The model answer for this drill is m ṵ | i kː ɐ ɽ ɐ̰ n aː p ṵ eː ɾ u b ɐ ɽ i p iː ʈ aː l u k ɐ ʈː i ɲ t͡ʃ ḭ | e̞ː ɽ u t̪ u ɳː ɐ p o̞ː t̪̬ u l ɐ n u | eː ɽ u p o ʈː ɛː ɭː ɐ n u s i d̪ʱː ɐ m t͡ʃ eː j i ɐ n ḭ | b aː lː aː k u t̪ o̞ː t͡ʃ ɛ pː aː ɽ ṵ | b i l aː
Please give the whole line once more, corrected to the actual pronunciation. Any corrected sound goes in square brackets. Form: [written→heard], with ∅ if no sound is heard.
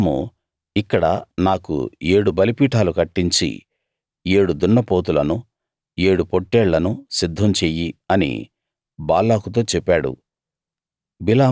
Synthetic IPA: m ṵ | i kː ɐ ɽ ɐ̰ n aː [p→k] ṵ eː [ɾ→ɽ] u b ɐ [ɽ→l] i p iː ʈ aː l u k ɐ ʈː i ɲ t͡ʃ ḭ | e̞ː ɽ u [t̪→d̪] u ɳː ɐ p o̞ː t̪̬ u l ɐ n u | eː ɽ u p o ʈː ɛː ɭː ɐ n u s i d̪ʱː ɐ m t͡ʃ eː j i ɐ n ḭ | b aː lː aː k u t̪ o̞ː t͡ʃ ɛ pː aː ɽ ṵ | b i l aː

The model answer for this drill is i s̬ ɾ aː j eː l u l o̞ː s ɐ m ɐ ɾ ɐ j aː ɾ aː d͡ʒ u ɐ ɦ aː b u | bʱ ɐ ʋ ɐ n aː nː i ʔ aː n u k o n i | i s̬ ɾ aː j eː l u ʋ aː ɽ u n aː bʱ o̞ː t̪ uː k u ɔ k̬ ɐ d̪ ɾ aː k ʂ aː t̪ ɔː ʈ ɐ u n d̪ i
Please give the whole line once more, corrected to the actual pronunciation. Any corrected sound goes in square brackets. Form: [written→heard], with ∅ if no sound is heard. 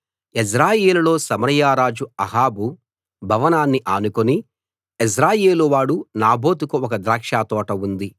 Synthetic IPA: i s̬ ɾ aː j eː l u l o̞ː s ɐ m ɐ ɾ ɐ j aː ɾ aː d͡ʒ u ɐ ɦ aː b u | bʱ ɐ ʋ ɐ n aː nː i ʔ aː n u k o n i | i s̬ ɾ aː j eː l u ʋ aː ɽ u n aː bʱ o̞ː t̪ [uː→u] k u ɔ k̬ ɐ d̪ ɾ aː k ʂ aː t̪ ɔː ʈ ɐ u n d̪ i

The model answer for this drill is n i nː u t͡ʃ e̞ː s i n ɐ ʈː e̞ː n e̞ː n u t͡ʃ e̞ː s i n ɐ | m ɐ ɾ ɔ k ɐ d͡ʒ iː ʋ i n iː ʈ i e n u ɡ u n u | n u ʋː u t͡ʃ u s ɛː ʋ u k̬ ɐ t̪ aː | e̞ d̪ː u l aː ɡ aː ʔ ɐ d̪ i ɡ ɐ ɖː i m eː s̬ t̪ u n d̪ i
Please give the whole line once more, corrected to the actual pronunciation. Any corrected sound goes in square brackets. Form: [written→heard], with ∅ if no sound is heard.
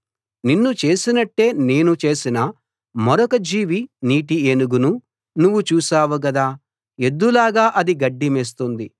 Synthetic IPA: n i nː u t͡ʃ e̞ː s i n ɐ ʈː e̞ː n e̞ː n u t͡ʃ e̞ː s i n ɐ | m ɐ ɾ ɔ k ɐ d͡ʒ iː ʋ i n iː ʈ i e n u ɡ u n u | n u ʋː u t͡ʃ [u→uː] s [ɛː→aː] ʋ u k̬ ɐ [t̪→d̪] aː | e̞ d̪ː u l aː ɡ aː ʔ ɐ d̪ i ɡ ɐ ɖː i m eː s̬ t̪ u n d̪ i

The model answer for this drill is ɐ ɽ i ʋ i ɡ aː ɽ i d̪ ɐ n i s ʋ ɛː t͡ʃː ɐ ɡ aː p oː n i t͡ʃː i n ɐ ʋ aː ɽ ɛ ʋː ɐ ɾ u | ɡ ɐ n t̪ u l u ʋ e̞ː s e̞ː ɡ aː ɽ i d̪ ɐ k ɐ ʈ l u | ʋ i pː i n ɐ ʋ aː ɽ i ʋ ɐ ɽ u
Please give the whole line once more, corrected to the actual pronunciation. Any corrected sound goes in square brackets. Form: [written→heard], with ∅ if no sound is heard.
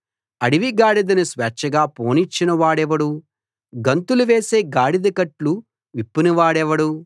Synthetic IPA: ɐ ɽ i ʋ i ɡ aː ɽ i d̪ ɐ n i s ʋ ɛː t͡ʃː ɐ ɡ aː p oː n i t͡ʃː i n ɐ ʋ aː ɽ ɛ [ʋː→ʋ] ɐ [ɾ→ɽ] u | ɡ ɐ n t̪ u l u ʋ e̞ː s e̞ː ɡ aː ɽ i d̪ ɐ k ɐ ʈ l u | ʋ i pː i n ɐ ʋ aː ɽ [i→ɛ] ʋ ɐ ɽ u

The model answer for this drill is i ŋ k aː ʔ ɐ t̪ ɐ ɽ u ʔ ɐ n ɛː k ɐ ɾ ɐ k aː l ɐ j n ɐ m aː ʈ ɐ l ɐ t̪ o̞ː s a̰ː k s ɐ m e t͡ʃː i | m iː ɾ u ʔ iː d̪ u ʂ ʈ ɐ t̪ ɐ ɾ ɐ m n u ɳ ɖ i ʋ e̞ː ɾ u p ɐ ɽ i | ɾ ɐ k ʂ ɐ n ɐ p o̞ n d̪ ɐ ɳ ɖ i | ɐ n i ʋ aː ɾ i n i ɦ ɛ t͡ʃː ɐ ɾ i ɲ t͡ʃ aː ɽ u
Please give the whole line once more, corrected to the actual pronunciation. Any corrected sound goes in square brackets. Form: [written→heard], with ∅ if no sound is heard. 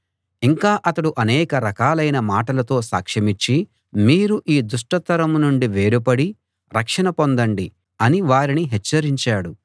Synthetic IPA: i ŋ k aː ʔ ɐ t̪ ɐ ɽ u ʔ ɐ n ɛː k ɐ ɾ ɐ k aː l ɐ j n ɐ m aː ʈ ɐ l ɐ t̪ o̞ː s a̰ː k [s→ʂ] ɐ m [e→i] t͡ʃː i | m iː ɾ u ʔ iː d̪ u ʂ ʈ ɐ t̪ ɐ ɾ ɐ m n u ɳ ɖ i ʋ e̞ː ɾ u p ɐ ɽ i | ɾ ɐ k ʂ ɐ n ɐ p o̞ n d̪ ɐ ɳ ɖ i | ɐ n i ʋ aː ɾ i n i ɦ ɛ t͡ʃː ɐ ɾ i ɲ t͡ʃ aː ɽ u

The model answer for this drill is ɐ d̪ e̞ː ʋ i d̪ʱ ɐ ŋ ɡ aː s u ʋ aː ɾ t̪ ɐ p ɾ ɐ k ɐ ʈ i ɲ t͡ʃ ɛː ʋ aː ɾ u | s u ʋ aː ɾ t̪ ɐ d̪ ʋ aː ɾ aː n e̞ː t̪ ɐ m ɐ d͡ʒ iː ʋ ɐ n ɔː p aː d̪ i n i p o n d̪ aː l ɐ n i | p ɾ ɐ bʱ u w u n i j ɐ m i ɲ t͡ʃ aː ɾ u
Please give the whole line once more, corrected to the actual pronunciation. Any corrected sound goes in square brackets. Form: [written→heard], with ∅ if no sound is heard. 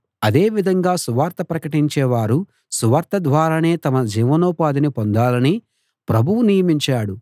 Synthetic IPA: ɐ d̪ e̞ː ʋ i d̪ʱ ɐ ŋ ɡ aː s u ʋ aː ɾ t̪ ɐ p ɾ ɐ k ɐ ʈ i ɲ t͡ʃ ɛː ʋ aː ɾ u | s u ʋ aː ɾ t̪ ɐ d̪ ʋ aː ɾ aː n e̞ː t̪ ɐ m ɐ d͡ʒ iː ʋ ɐ n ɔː p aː d̪ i n i p o n d̪ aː l ɐ n i | p ɾ ɐ bʱ u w u n i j ɐ m i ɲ t͡ʃ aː [ɾ→ɽ] u

